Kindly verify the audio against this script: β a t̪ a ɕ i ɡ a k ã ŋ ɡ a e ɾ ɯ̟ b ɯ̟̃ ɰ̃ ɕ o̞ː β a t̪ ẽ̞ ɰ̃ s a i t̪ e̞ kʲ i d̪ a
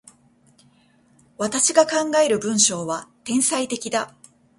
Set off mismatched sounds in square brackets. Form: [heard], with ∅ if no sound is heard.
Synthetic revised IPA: β a t̪ a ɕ i ɡ a k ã ŋ ɡ a e ɾ ɯ̟ b ɯ̟̃ ɰ̃ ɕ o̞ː β a t̪ ẽ̞ ɰ̃ s a i t̪ e̞ kʲ i d̪ a